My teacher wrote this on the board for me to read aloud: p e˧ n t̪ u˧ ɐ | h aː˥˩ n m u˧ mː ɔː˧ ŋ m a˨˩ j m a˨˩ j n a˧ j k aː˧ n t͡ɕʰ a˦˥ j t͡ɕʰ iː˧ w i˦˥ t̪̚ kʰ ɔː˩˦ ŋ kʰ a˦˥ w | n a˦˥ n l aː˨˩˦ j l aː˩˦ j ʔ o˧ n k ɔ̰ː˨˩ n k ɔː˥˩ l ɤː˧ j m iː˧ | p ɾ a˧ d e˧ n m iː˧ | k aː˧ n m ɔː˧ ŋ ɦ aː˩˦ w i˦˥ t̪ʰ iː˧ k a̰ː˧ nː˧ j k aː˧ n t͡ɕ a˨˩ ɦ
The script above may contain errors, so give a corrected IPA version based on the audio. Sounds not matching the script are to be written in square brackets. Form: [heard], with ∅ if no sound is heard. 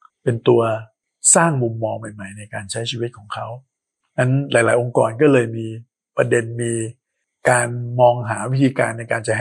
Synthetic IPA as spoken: p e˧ n t̪ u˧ ɐ | [s] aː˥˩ [ŋ] m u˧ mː ɔː˧ ŋ m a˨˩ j m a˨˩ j n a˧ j k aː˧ n t͡ɕʰ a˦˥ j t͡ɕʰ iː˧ w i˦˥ t̪̚ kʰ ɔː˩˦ ŋ kʰ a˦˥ w | n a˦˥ n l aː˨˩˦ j l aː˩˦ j ʔ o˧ [ŋ] k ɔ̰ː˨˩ n k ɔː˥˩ l ɤː˧ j m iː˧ | p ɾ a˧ d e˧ n m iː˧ | k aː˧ n m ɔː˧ ŋ ɦ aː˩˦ w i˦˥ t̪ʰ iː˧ k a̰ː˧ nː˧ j k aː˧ n t͡ɕ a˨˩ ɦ